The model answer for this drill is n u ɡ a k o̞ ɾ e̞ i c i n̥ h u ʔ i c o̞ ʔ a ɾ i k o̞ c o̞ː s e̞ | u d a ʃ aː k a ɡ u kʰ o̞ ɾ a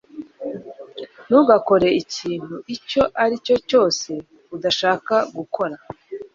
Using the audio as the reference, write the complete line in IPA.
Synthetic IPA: n u ɡ a k o̞ ɾ e̞ i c iː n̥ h u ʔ i c o̞ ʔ a ɾ i c o̞ c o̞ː s e̞ | u d a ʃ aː k a ɡ u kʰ o̞ ɾ a